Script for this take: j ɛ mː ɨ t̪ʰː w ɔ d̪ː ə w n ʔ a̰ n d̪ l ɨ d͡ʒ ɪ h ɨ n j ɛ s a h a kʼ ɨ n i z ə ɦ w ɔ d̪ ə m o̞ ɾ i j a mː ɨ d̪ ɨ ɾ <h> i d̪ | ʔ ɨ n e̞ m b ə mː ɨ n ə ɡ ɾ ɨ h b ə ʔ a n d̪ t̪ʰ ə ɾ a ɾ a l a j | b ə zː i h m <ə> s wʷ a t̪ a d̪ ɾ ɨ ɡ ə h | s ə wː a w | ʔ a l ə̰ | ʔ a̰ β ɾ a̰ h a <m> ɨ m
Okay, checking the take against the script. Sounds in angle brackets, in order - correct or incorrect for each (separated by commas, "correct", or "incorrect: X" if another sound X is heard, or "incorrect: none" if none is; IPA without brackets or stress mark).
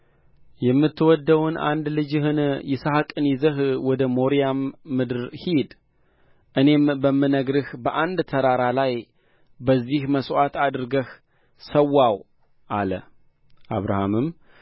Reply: correct, correct, correct